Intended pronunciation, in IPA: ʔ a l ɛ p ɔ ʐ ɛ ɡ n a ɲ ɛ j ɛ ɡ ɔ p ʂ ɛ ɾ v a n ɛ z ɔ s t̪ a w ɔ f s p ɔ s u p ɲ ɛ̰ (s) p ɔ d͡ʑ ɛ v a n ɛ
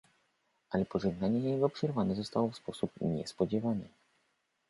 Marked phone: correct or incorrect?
correct